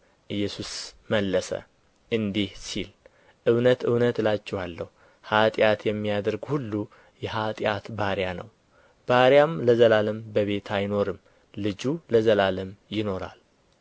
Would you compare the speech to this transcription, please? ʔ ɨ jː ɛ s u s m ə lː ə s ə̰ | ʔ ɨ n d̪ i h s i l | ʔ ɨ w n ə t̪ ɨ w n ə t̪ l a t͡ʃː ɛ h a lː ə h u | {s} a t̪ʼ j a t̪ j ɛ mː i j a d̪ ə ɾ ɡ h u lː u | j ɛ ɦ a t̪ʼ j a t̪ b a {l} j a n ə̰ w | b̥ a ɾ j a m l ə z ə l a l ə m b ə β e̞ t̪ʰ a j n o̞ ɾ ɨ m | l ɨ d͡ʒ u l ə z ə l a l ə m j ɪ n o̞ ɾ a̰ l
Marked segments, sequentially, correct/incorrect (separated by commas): incorrect, incorrect